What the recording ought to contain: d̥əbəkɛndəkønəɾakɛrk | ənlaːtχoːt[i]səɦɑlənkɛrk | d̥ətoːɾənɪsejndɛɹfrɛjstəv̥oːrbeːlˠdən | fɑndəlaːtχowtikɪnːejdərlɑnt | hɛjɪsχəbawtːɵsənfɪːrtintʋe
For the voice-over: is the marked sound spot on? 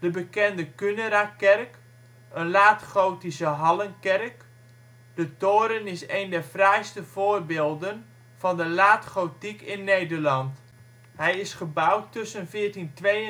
yes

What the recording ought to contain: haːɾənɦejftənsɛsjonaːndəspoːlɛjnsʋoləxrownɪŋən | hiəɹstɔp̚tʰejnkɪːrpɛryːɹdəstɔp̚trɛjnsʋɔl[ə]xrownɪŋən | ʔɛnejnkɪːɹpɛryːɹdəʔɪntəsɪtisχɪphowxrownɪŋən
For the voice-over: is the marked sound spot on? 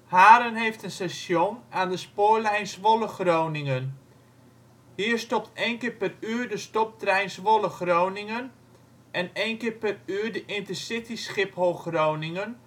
yes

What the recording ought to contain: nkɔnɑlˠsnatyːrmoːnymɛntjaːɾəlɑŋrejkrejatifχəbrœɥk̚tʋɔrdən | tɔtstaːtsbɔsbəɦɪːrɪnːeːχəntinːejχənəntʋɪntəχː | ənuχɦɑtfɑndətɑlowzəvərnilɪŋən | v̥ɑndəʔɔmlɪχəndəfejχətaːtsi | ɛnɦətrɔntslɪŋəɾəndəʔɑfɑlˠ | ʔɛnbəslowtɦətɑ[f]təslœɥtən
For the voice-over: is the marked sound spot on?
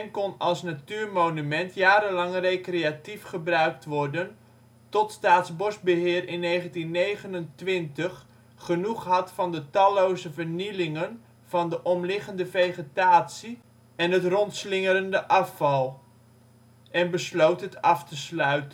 yes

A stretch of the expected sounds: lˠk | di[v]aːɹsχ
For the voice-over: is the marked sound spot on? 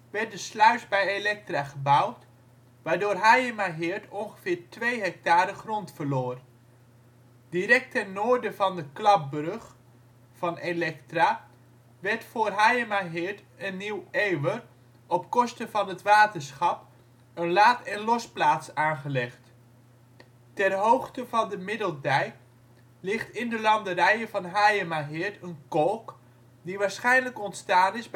no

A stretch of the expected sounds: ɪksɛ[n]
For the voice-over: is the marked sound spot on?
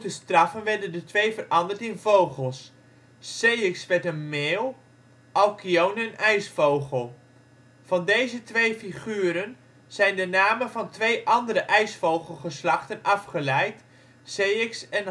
yes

